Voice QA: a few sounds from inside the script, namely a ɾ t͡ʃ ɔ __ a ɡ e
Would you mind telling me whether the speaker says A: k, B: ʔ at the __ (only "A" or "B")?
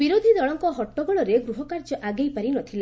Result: B